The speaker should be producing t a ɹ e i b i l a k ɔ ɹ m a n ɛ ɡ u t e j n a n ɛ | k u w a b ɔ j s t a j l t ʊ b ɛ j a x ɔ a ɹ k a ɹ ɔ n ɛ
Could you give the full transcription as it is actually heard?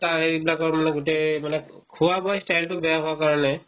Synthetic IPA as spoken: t a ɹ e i b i l a k ɔ ɹ m a n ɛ ɡ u t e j m a n ɛ | kʰ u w a b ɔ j s t a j l t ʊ b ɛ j a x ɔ a k a ɹ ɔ n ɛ